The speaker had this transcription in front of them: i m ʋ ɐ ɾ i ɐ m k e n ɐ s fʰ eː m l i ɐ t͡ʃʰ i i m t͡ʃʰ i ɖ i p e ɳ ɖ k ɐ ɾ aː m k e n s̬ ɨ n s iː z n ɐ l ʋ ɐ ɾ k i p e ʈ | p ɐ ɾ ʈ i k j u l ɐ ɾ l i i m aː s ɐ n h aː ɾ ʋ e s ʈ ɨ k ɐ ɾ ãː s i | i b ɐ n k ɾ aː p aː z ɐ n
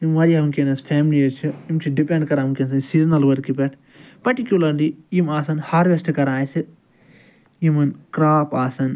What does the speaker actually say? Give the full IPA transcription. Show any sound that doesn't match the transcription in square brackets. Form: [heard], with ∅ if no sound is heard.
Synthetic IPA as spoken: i m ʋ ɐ ɾ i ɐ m k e n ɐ s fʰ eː m l i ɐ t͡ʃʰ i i m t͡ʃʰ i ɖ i p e ɳ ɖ k ɐ ɾ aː m k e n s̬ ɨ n s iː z n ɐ l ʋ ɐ ɾ k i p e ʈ | p ɐ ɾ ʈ i k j u l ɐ ɾ l i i m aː s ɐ n h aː ɾ ʋ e s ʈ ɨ k ɐ ɾ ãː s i | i [m] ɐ n k ɾ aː p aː [s] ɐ n